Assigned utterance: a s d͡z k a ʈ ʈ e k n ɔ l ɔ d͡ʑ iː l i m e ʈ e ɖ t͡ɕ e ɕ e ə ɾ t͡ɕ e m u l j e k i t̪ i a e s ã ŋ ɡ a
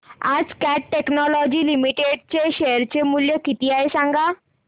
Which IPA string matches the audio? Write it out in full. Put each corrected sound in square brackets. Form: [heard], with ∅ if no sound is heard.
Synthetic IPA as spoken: a [∅] d͡z k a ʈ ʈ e k n ɔ l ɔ d͡ʑ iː l i m [i] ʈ e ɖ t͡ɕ e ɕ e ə ɾ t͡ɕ e m u l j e k i t̪ i a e s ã ŋ ɡ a